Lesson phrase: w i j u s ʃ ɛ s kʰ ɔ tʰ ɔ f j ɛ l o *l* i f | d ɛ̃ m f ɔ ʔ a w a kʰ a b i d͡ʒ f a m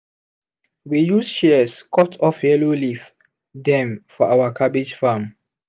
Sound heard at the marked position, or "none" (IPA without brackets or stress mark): l